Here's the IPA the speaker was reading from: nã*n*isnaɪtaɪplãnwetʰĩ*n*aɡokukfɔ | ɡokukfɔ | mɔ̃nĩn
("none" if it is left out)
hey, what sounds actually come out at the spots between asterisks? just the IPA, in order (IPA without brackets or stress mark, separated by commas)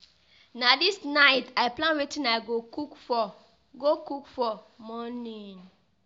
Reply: d, n